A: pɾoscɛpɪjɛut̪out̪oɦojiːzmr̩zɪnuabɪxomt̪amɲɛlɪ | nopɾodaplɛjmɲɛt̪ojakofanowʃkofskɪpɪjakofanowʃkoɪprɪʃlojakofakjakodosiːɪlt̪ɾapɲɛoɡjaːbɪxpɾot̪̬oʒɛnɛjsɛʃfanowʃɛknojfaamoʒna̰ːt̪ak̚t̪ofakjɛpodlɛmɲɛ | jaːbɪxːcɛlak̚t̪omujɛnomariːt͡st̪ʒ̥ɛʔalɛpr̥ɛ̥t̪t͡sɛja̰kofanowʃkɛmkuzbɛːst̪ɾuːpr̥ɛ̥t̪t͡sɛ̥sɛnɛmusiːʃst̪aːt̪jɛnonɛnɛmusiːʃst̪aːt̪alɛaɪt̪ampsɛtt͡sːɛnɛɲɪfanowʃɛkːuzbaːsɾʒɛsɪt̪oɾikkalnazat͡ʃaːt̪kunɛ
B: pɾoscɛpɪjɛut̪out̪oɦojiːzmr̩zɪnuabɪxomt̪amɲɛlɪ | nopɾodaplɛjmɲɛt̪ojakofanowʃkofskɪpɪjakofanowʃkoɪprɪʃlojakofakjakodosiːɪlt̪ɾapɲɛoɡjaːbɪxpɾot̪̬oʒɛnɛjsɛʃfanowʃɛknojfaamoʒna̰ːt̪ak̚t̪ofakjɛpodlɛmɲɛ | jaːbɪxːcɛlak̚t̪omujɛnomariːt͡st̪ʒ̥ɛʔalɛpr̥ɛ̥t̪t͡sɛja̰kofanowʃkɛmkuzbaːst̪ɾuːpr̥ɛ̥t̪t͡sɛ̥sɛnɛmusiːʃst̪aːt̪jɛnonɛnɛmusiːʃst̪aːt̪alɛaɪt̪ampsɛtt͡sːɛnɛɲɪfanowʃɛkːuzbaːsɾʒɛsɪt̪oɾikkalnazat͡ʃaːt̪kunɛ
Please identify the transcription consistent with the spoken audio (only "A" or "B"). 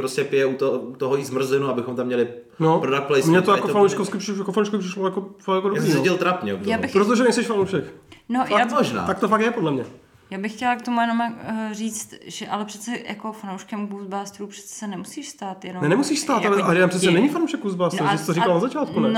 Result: B